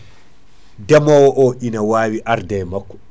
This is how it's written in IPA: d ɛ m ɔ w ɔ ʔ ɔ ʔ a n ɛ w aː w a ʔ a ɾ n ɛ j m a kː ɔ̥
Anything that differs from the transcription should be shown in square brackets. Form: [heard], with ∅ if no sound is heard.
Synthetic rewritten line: d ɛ m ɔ w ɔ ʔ ɔ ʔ [i] n [a] w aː w [i] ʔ a ɾ [d] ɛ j m a kː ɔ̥

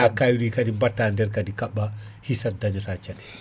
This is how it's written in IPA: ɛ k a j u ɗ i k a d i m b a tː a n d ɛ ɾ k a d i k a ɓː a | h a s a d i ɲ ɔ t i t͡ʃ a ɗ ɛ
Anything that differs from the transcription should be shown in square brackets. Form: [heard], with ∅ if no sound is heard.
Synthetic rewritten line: [a] k a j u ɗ i k a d i m b a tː a n d ɛ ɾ k a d i k a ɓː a | h [i] s a d [a] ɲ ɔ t [a] t͡ʃ a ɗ ɛ

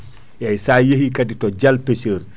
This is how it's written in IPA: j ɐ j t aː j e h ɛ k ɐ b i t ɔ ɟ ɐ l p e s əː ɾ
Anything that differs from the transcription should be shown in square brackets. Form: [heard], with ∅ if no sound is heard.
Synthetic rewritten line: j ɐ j [s] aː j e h [i] k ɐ [d] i t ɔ ɟ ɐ l p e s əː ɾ

